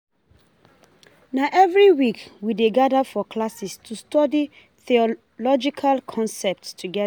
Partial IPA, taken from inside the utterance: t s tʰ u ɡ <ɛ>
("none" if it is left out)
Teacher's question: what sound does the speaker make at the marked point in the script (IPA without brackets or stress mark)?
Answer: ɛ